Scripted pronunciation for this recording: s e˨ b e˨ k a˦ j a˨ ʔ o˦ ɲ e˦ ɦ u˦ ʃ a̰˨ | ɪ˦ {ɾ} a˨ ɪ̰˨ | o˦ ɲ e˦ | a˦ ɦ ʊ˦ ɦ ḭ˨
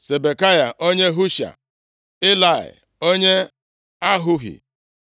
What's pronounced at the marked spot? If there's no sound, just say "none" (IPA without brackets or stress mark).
l